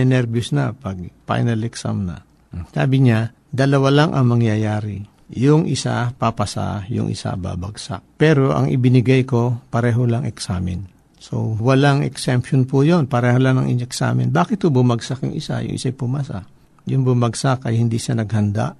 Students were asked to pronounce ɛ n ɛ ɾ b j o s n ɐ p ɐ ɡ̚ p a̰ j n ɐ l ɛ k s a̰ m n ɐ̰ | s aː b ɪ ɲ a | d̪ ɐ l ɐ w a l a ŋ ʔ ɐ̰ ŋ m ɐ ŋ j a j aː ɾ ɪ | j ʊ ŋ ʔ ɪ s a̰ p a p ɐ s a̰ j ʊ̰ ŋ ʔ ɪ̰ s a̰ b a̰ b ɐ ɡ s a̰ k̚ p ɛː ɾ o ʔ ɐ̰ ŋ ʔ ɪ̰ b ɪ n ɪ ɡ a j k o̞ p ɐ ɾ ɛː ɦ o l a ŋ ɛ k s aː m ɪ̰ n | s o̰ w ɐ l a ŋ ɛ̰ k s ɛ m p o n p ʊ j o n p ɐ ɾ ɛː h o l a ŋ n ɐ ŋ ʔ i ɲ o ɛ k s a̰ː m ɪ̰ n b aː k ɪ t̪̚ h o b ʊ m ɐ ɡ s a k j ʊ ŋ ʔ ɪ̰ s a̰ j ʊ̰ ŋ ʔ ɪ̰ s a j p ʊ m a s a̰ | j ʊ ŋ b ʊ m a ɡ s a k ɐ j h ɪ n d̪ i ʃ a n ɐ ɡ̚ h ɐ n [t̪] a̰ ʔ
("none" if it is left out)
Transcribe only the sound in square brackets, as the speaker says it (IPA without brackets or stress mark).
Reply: d̪